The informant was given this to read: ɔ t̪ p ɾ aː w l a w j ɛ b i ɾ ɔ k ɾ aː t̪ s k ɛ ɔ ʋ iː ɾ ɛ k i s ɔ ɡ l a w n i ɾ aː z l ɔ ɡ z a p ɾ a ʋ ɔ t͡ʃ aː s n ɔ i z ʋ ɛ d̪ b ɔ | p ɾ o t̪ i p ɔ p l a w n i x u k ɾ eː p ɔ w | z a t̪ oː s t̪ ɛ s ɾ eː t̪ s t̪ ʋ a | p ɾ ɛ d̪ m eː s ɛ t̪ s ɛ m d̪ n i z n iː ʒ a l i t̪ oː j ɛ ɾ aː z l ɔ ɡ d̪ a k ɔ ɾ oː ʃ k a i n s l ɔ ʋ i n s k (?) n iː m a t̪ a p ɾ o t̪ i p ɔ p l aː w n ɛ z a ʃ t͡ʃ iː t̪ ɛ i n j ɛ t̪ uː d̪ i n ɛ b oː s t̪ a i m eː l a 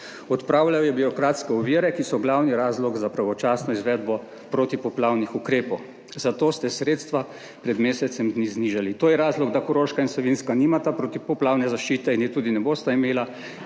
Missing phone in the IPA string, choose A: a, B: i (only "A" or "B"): A